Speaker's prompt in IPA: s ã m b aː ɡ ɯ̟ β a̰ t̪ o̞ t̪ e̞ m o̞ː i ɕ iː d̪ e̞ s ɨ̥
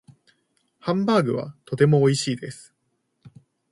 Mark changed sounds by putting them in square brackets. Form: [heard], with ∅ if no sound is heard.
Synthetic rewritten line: [h] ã m b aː ɡ ɯ̟ β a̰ t̪ o̞ t̪ e̞ m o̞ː i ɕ iː d̪ e̞ s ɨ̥